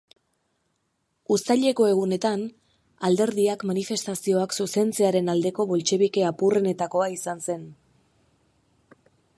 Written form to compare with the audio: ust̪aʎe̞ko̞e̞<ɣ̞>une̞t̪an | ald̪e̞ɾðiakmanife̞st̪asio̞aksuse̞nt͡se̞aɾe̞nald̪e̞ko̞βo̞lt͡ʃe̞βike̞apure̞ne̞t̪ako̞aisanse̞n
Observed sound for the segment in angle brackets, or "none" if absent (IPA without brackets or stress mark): ɣ̞